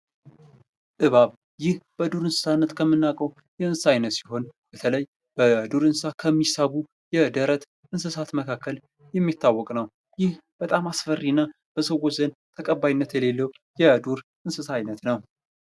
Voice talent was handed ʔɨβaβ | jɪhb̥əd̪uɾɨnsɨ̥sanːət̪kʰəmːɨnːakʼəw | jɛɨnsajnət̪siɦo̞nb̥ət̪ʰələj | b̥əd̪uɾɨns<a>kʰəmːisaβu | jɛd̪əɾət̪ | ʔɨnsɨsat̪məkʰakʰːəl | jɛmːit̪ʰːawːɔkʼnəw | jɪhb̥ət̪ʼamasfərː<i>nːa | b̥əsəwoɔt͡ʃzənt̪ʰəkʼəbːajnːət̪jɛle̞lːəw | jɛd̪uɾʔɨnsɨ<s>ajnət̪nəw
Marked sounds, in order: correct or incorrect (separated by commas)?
correct, correct, correct